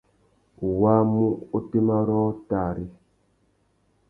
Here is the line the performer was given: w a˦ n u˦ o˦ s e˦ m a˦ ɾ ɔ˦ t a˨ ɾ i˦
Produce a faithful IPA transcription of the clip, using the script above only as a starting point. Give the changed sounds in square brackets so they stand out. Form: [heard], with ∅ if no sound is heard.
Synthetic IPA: w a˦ [m] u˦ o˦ [t] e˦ m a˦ ɾ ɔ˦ t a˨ ɾ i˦